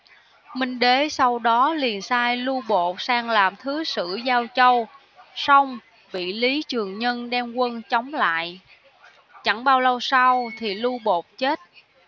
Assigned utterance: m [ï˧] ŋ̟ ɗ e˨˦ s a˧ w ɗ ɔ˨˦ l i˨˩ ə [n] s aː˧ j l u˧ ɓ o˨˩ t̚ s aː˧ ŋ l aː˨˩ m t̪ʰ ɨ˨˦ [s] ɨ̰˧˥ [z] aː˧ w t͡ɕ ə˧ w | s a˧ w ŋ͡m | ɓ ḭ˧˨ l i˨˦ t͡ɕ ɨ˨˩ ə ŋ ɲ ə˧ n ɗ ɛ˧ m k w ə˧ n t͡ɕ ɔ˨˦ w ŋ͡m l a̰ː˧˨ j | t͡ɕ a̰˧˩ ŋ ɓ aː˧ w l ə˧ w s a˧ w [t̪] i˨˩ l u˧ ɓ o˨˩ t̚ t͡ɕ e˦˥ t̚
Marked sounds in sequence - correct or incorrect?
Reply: correct, correct, correct, correct, incorrect: t̪ʰ

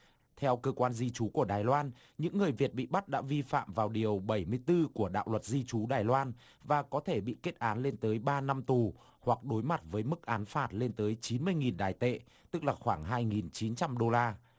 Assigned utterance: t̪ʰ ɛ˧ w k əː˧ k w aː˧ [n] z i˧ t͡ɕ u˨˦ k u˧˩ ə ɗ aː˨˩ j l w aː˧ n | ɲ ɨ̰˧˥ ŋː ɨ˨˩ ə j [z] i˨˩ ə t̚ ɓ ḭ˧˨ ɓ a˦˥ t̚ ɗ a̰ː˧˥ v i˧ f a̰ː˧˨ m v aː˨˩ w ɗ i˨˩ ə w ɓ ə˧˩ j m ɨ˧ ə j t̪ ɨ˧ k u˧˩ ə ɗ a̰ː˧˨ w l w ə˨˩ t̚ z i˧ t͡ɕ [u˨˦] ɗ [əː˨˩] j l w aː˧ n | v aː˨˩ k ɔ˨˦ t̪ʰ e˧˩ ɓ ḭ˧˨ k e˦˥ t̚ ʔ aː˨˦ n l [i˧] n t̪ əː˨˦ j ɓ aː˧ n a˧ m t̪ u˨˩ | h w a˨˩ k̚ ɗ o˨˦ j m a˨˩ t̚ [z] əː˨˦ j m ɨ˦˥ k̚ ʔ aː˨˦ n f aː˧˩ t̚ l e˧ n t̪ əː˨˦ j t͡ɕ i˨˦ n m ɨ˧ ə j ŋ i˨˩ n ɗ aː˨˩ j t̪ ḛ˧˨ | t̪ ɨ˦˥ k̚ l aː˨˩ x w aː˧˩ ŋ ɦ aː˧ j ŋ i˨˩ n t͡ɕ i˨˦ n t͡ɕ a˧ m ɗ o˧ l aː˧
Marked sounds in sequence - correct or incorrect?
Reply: correct, incorrect: v, correct, incorrect: aː˨˩, incorrect: e˧, incorrect: v

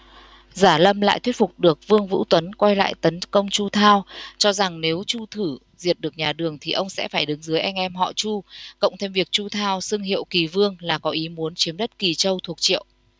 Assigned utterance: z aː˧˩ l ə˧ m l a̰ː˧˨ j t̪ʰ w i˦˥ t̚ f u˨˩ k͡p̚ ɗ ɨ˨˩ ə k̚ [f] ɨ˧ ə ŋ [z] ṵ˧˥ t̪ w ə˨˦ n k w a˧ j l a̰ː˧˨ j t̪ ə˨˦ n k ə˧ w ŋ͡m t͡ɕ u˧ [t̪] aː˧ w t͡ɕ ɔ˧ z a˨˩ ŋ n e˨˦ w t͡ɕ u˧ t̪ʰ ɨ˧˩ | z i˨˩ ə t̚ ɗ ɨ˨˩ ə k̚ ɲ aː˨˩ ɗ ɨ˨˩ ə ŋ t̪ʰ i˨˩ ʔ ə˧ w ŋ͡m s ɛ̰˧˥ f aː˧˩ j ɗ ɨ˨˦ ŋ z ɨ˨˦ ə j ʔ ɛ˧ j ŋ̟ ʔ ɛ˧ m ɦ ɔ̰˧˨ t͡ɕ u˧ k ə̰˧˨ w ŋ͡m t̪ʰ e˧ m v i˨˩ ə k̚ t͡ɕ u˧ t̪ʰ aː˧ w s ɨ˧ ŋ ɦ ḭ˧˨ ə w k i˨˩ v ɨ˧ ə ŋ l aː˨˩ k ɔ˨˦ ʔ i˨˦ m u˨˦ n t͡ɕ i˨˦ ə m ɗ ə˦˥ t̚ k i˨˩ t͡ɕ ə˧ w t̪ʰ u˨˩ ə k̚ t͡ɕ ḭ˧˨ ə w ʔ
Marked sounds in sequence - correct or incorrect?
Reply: incorrect: v, incorrect: v, incorrect: t̪ʰ

